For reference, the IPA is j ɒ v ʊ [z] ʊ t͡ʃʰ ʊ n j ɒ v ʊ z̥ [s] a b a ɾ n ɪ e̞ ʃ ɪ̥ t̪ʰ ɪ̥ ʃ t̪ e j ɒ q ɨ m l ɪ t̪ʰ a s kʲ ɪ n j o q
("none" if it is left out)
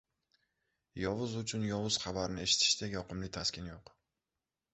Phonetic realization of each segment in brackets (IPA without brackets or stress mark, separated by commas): z, χ